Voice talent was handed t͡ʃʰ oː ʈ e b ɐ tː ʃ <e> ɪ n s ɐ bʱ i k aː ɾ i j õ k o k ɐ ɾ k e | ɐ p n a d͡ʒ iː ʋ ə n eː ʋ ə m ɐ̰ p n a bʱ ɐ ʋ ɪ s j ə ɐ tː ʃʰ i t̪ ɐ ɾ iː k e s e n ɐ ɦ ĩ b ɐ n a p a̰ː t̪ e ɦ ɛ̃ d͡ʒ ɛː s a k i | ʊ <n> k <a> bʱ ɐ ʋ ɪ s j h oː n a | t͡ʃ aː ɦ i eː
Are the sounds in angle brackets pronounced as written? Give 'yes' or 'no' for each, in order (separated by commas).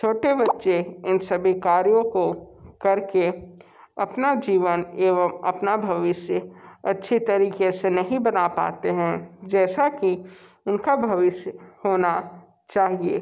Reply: yes, yes, yes